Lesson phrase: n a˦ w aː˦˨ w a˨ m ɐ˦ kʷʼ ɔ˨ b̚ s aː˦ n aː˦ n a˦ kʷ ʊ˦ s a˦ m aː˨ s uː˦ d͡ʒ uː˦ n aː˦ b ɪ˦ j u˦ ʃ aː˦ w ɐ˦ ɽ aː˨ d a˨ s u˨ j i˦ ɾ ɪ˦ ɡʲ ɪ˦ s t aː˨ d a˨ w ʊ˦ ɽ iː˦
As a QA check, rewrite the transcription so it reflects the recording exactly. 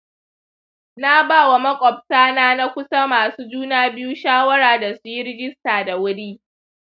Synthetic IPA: n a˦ b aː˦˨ w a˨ m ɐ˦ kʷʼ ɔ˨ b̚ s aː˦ n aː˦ n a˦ kʷ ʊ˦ s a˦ m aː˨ s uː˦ d͡ʒ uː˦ n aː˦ b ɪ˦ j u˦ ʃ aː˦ w ɐ˦ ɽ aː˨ d a˨ s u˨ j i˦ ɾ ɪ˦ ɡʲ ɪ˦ s t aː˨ d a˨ w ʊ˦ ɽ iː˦